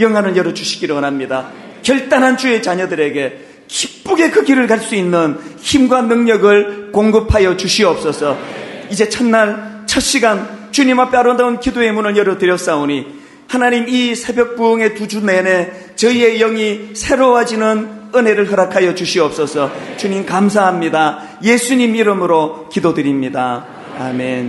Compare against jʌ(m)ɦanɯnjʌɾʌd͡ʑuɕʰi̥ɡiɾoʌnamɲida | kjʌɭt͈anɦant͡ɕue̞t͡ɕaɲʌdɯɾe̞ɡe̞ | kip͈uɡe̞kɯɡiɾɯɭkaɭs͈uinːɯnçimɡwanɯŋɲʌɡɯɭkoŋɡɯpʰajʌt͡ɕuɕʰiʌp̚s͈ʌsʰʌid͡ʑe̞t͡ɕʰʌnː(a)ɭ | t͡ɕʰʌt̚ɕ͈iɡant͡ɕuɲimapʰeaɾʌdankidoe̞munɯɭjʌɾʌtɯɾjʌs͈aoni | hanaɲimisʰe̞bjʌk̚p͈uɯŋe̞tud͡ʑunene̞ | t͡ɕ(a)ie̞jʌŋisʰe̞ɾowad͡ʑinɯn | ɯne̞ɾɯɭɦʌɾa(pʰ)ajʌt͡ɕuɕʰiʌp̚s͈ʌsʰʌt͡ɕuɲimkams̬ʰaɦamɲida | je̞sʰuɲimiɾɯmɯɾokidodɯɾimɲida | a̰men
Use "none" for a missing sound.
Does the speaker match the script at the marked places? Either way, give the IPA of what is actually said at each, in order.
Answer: ŋ, a, ʌ, kʰ

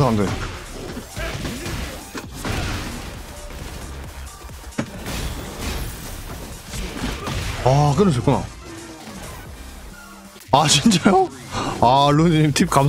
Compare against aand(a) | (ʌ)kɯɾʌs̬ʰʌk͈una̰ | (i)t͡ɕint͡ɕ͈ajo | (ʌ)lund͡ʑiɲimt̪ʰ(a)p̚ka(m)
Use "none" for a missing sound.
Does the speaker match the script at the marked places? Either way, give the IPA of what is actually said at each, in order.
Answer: e, a, a, a, i, m

